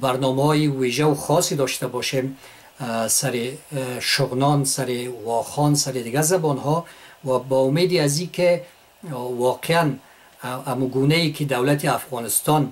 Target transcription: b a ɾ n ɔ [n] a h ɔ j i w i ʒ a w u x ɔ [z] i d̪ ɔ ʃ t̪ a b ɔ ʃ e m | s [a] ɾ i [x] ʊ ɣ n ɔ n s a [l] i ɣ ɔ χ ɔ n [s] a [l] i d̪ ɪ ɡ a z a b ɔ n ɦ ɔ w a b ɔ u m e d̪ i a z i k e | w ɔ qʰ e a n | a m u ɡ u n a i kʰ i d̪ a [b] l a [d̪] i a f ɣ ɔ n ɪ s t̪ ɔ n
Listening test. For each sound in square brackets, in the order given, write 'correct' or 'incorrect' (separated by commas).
incorrect, incorrect, correct, incorrect, incorrect, correct, incorrect, incorrect, incorrect